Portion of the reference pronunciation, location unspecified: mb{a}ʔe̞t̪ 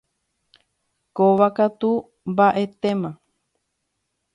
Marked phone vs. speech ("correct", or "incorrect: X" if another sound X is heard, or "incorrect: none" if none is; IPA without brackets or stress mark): correct